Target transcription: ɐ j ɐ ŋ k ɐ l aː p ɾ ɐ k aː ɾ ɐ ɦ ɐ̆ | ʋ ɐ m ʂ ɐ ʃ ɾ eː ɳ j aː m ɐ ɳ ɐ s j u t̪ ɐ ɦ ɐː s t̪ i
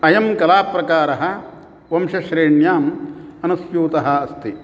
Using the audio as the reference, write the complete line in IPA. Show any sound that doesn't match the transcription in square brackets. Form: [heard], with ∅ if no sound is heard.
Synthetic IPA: ɐ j ɐ [m] k ɐ l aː p ɾ ɐ k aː ɾ ɐ ɦ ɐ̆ | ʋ ɐ m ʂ ɐ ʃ ɾ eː ɳ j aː m ɐ [n] ɐ s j [uː] t̪ ɐ ɦ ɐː s t̪ i